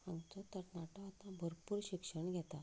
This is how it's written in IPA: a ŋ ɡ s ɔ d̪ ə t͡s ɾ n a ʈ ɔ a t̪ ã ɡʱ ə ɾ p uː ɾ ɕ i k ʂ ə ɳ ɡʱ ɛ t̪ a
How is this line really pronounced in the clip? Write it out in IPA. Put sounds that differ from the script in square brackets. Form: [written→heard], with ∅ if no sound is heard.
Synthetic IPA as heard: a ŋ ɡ [s→t͡s] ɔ [d̪→t̪] ə [t͡s→∅] ɾ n a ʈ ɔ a t̪ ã [ɡʱ→bʱ] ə ɾ p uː ɾ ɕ i k ʂ ə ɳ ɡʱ ɛ t̪ a